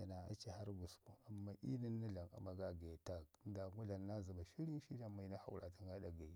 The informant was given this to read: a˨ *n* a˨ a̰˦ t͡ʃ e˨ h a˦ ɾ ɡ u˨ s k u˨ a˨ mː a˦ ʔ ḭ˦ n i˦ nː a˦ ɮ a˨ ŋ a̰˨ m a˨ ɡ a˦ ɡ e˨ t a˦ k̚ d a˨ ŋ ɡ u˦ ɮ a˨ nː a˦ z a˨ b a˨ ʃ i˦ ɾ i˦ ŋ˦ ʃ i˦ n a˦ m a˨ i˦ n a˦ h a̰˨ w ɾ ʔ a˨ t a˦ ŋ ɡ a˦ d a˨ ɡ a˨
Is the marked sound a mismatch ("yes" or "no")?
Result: no